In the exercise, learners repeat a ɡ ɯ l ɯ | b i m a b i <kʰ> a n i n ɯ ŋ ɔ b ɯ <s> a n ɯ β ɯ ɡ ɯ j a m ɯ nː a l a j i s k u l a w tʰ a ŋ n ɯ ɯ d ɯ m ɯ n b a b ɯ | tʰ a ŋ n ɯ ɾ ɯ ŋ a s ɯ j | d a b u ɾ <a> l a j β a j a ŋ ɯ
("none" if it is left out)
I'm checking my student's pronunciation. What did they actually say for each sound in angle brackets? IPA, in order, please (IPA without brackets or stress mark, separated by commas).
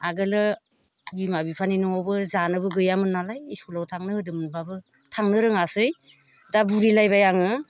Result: pʰ, z, i